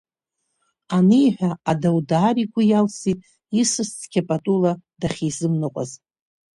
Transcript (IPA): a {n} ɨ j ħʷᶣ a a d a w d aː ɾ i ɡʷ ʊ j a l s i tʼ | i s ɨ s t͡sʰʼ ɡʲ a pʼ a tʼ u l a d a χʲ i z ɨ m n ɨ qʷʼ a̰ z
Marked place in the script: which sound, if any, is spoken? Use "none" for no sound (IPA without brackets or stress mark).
n